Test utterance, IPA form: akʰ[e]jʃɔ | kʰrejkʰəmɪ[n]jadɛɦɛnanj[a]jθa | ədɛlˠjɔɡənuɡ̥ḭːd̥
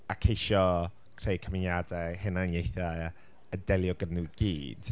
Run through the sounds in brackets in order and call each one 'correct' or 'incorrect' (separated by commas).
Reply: correct, correct, incorrect